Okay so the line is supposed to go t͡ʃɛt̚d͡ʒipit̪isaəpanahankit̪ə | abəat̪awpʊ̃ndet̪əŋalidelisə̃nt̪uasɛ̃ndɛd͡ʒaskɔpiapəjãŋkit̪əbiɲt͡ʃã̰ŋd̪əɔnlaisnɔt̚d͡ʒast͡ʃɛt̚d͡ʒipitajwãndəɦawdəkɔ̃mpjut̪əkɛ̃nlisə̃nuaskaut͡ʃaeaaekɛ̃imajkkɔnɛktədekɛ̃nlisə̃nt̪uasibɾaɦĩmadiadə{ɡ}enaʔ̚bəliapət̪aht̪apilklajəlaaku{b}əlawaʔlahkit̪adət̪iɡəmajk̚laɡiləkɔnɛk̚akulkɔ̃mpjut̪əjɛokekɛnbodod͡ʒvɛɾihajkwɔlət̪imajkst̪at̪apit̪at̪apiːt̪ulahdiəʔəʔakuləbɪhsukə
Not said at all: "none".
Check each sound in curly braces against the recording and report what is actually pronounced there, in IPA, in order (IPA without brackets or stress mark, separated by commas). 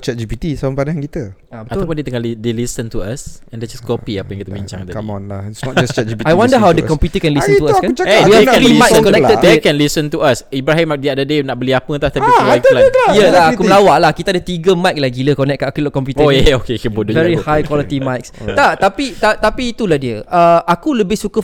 d, m